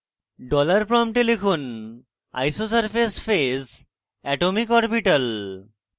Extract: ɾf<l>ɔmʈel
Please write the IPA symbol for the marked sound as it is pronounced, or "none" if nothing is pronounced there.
ɾ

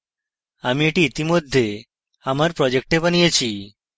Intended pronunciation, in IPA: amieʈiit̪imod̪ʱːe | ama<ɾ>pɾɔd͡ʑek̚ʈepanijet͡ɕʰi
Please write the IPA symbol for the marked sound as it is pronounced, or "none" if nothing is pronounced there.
ɾ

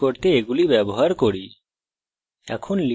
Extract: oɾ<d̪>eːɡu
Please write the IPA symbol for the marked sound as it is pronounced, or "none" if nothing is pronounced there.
t̪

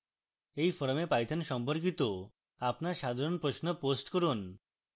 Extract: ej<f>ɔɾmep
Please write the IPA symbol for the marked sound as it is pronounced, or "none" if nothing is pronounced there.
f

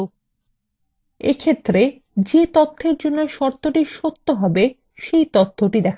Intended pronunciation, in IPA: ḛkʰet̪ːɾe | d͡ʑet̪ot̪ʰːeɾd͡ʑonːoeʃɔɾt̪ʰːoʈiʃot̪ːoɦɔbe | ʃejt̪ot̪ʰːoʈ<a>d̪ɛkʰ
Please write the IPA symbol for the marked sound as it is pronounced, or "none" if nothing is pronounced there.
i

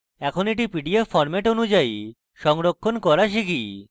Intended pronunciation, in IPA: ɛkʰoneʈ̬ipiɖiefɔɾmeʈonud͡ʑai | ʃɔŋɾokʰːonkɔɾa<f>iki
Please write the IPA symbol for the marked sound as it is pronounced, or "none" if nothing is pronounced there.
ʃ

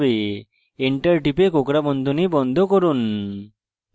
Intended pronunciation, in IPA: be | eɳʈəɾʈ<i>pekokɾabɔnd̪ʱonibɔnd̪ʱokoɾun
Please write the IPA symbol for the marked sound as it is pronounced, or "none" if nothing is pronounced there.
i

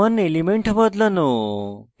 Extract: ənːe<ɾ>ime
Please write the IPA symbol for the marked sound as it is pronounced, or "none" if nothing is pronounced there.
l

